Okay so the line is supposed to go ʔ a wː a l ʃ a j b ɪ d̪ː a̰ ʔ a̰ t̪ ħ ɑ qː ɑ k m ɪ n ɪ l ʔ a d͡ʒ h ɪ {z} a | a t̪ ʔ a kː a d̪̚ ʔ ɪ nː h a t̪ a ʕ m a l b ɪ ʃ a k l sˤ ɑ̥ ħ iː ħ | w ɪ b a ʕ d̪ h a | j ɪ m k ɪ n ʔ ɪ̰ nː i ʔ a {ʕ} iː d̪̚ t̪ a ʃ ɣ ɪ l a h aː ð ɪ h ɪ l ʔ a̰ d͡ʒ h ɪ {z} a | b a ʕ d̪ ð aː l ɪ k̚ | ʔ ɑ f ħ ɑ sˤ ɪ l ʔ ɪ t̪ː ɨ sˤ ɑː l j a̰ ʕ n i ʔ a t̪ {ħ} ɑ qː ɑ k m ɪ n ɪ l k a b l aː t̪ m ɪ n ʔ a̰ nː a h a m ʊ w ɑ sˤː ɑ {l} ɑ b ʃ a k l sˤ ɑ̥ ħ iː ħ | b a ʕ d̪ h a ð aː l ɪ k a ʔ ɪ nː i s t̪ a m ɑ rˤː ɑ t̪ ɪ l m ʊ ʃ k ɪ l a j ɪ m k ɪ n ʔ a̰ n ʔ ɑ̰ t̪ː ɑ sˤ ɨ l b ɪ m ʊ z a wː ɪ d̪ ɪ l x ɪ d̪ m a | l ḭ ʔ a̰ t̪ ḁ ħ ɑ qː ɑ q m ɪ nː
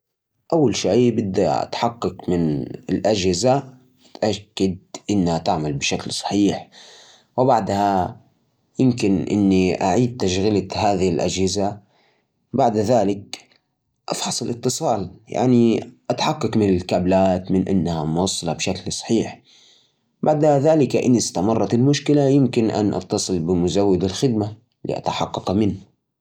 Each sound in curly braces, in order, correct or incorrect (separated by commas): correct, correct, correct, correct, correct